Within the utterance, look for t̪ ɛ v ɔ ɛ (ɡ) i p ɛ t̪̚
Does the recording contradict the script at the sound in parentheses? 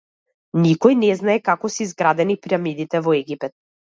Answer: no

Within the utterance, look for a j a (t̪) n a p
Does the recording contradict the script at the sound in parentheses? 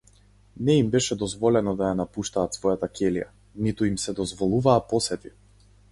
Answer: yes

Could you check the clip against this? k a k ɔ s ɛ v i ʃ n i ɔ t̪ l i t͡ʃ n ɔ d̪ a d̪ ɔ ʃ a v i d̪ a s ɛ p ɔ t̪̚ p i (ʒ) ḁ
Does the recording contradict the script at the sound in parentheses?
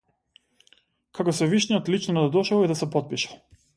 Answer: yes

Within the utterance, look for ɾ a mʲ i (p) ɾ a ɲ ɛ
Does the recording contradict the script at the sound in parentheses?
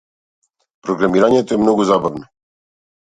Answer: yes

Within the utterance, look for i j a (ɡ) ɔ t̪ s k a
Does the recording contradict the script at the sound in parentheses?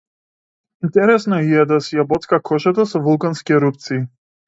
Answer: yes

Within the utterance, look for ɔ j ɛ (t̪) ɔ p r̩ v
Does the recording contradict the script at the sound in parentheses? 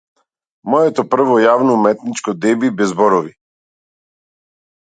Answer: no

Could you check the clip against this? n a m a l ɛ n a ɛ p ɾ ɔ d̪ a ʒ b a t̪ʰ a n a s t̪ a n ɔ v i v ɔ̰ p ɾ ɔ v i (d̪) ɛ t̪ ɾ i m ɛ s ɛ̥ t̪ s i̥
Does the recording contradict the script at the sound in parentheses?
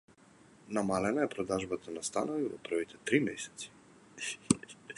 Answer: yes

